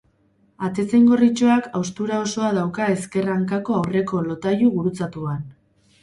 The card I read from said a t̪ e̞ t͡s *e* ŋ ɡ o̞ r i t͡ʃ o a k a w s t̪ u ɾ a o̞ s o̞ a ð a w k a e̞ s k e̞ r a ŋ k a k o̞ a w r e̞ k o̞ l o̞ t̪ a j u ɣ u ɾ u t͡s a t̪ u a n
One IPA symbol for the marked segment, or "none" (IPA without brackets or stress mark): e